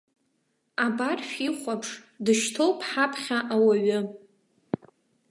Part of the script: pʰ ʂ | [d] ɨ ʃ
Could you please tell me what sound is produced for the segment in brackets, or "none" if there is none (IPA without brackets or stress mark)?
d